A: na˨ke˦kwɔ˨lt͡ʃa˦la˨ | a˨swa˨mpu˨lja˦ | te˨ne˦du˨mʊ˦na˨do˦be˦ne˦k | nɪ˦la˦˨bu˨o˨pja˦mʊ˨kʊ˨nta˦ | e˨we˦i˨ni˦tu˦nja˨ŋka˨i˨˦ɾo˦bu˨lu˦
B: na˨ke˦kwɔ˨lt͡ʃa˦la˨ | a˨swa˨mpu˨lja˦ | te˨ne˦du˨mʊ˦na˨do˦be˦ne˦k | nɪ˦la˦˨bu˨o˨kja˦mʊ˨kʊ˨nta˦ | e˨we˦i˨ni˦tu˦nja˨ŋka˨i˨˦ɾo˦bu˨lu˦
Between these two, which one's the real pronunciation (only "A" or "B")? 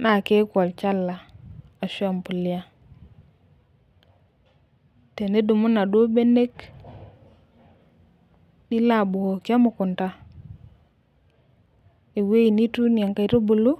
B